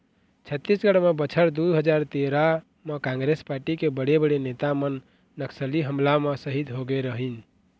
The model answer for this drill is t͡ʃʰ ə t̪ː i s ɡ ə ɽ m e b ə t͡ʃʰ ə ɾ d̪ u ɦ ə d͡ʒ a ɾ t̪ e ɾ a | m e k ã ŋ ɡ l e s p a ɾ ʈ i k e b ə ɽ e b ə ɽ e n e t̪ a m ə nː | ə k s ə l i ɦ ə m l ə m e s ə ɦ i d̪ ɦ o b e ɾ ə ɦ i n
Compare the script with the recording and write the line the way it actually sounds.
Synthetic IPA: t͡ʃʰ ə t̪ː i s ɡ ə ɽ m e b ə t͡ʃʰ ə ɾ d̪ u ɦ ə d͡ʒ a ɾ t̪ e ɾ a | m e k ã ŋ ɡ ɾ e s p a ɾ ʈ i k e b ə ɽ e b ə ɽ e n e t̪ a m ə nː | ə k s ə l i ɦ ə m l a m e s ə ɦ i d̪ ɦ o ɡ e ɾ ə ɦ i n

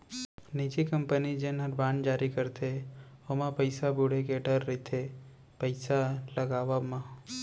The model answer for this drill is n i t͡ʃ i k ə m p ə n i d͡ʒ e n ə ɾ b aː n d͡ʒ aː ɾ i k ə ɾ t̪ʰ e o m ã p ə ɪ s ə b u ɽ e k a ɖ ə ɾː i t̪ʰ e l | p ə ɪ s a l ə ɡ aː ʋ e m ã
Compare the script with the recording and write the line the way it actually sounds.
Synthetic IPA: n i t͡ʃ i k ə m p ə n i d͡ʒ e n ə ɾ b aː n d͡ʒ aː ɾ i k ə ɾ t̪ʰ e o m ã p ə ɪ s a b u ɽ e k e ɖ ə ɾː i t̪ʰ e | p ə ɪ s a l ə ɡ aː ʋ a m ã

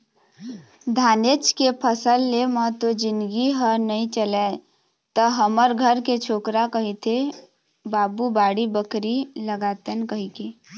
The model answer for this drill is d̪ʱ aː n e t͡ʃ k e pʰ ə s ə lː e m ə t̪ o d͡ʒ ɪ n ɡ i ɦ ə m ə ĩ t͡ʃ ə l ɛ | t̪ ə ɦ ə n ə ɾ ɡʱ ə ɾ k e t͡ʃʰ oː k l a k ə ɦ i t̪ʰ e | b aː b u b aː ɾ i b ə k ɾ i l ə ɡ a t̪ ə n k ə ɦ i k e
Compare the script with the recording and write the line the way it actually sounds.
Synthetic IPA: d̪ʱ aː n e t͡ʃ k e pʰ ə s ə lː e m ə t̪ o d͡ʒ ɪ n ɡ i ɦ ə n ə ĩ t͡ʃ ə l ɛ | t̪ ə ɦ ə m ə ɾ ɡʱ ə ɾ k e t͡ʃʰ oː k ɾ a k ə ɦ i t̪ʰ e | b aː b u b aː ɽ i b ə k ɾ i l ə ɡ a t̪ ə n k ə ɦ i k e

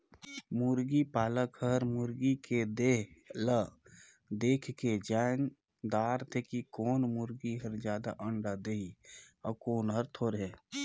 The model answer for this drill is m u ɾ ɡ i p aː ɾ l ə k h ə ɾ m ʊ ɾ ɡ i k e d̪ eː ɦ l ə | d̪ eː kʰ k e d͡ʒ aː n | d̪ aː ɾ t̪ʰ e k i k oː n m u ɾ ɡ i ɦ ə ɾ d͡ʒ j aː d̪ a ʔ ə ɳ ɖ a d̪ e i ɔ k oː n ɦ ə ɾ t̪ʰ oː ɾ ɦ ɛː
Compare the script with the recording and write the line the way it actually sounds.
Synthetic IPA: m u ɾ ɡ i p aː l ə k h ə ɾ m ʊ ɾ ɡ i k e d̪ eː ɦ l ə | d̪ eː kʰ k e d͡ʒ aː n | d̪ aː ɾ t̪ʰ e k i k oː n m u ɾ ɡ i ɦ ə ɾ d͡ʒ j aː d̪ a ʔ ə ɳ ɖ a d̪ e i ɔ k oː n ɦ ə ɾ t̪ʰ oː ɾ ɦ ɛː

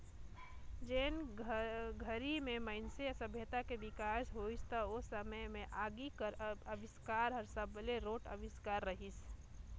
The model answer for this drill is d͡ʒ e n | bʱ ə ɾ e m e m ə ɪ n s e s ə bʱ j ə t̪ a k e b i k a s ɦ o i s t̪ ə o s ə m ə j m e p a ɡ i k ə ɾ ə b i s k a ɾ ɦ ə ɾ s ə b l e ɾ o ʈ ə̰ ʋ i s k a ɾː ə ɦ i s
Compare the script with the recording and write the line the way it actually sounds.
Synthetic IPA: d͡ʒ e n | ɡʱ ə ɾ i m e m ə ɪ n s e s ə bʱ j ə t̪ a k e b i k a s ɦ o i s t̪ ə o s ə m ə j m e ʔ a ɡ i k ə ɾ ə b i s k a ɾ ɦ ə ɾ s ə b l e ɾ o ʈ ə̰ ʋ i s k a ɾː ə ɦ i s

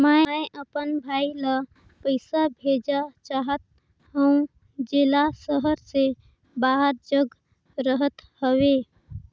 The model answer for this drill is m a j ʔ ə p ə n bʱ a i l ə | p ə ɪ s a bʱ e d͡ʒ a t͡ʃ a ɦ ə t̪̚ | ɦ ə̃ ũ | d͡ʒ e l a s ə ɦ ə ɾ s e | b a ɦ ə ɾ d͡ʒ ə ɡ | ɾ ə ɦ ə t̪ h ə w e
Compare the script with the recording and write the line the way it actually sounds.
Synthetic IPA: m a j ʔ ə p ə n bʱ a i l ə | p ə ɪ s a bʱ e d͡ʒ a t͡ʃ a ɦ ə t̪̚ | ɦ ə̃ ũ | d͡ʒ e l a s ə ɦ ə ɾ s e | b a ɦ ə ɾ d͡ʒ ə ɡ | ɾ ə ɦ ə t̪ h ə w e

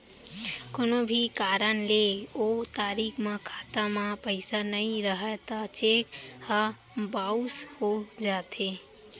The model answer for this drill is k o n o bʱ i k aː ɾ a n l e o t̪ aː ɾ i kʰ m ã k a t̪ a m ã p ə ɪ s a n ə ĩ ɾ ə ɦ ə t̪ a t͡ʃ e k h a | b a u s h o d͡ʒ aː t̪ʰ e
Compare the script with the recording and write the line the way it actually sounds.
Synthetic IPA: k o n o bʱ i k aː ɾ ə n l e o t̪ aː ɾ i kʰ m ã kʰ a t̪ a m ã p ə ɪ s a n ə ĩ ɾ ə ɦ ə t̪ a t͡ʃ e k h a | b a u s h o d͡ʒ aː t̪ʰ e

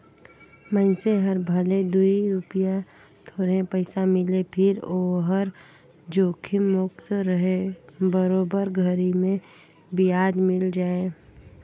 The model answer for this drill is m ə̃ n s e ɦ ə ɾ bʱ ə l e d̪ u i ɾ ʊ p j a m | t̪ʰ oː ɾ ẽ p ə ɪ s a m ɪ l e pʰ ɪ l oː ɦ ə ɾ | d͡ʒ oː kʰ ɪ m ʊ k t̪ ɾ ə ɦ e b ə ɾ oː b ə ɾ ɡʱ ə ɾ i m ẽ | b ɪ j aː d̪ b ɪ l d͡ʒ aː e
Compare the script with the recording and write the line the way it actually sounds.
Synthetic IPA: m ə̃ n s e ɦ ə ɾ bʱ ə l e d̪ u i ɾ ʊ p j a | t̪ʰ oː ɾ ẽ p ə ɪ s a m ɪ l e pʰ ɪ ɾ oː ɦ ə ɾ | d͡ʒ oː kʰ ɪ m ʊ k t̪ ɾ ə ɦ e b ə ɾ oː b ə ɾ ɡʱ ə ɾ i m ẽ | b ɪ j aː d̪ m ɪ l d͡ʒ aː e

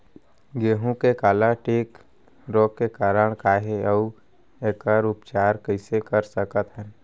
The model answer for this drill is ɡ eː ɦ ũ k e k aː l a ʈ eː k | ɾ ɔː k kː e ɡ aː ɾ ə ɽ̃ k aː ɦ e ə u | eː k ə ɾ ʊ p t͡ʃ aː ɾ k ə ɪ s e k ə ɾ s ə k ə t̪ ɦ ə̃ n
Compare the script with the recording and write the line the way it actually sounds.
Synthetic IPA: ɡ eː ɦ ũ k e k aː l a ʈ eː k | ɾ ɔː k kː e k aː ɾ ə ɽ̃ k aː ɦ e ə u | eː k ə ɾ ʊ p t͡ʃ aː ɾ k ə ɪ s e k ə ɾ s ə k ə t̪ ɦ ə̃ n

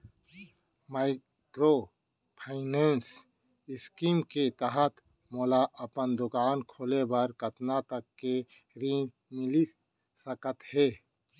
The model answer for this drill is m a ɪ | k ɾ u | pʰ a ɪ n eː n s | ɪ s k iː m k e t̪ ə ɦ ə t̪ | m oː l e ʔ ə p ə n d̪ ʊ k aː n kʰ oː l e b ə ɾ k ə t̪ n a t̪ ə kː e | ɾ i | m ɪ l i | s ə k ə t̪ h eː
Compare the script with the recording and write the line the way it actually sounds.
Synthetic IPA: m a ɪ | k ɾ o | pʰ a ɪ n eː n s | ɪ s k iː m k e t̪ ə ɦ ə t̪ | m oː l a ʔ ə p ə n d̪ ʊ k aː n kʰ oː l e b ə ɾ k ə t̪ n a t̪ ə kː e | ɾ i | m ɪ l i | s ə k ə t̪ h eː

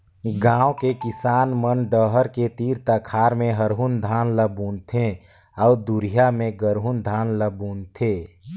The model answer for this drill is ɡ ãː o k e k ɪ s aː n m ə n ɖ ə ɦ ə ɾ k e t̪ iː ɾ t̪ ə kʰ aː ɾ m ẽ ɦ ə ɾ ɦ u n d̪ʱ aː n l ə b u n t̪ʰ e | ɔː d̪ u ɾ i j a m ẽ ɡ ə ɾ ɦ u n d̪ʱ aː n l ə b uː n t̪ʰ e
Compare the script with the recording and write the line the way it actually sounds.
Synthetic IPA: ɡ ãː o k e k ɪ s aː n m ə n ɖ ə ɦ ə ɾ k e t̪ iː ɾ t̪ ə kʰ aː ɾ m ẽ ɦ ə ɾ ɦ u n d̪ʱ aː n l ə b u n t̪ʰ e | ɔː d̪ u ɾ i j a m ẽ ɡ ə ɾ ɦ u n d̪ʱ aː n l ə b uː n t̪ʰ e

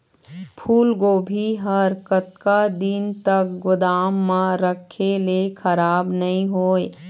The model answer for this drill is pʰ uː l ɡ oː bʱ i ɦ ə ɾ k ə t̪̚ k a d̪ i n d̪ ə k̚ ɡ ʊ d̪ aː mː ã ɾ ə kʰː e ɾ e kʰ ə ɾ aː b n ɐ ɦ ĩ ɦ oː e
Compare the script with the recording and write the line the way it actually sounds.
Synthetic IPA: pʰ uː l ɡ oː bʱ i ɦ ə ɾ k ə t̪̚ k a d̪ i n t̪ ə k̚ ɡ ʊ d̪ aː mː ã ɾ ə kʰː e l e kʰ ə ɾ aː b n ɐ ɦ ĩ ɦ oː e

